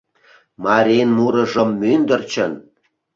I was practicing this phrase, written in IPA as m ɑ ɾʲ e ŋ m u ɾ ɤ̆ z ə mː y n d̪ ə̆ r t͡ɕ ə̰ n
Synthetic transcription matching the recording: m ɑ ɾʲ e n m u ɾ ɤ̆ ʒ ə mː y n d̪ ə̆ r t͡ɕ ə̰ n